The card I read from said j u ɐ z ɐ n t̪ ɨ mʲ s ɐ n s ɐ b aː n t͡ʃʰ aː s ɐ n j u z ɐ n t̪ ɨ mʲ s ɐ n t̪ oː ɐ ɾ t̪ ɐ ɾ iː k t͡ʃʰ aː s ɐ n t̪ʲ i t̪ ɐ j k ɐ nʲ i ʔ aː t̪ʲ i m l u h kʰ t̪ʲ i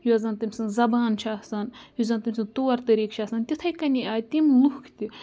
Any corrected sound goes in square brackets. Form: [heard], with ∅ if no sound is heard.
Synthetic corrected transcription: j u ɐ z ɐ n t̪ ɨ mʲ s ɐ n [z] ɐ b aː n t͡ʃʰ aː s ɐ n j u z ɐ n t̪ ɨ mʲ s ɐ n t̪ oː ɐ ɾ t̪ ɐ ɾ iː k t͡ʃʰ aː s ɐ n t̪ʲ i [t̪ʰ] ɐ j k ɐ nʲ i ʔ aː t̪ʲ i m l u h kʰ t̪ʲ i